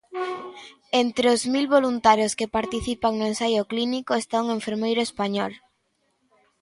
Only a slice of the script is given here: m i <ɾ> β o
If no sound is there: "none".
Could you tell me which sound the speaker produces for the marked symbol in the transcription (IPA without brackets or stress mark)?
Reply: l